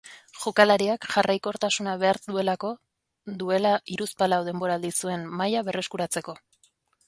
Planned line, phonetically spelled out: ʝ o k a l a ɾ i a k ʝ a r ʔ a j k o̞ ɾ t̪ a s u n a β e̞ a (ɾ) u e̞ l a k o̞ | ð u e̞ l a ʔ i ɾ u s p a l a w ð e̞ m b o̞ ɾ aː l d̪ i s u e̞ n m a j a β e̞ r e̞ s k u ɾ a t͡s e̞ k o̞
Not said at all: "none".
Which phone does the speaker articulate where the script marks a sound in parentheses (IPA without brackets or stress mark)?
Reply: ɾ